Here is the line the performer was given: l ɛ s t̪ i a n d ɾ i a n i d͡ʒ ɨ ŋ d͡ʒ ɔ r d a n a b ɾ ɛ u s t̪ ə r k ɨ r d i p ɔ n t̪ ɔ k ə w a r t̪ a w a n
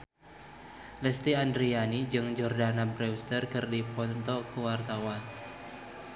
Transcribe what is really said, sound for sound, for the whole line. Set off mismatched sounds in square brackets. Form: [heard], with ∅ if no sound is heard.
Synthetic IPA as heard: l ɛ s t̪ i a n d ɾ i a n i d͡ʒ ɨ ŋ d͡ʒ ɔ r d a n a b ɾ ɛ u s t̪ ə r k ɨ r d i p ɔ n t̪ ɔ k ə w a r t̪ a w a n